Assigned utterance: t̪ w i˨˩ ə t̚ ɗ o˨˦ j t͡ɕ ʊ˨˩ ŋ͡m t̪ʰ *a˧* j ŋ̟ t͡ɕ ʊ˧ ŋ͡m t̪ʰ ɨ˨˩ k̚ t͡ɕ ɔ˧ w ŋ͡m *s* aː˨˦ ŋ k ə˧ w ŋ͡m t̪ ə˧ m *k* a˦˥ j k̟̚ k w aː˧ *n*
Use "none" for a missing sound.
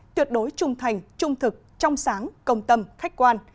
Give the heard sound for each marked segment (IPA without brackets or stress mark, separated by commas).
a˨˩, s, x, n